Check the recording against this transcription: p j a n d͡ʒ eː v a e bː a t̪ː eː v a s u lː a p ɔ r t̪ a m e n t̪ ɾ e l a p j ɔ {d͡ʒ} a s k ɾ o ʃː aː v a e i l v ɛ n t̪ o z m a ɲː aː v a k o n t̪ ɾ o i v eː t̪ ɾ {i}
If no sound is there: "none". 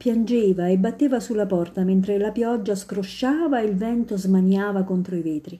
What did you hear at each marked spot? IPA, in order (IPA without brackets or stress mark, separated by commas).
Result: d͡ʒː, i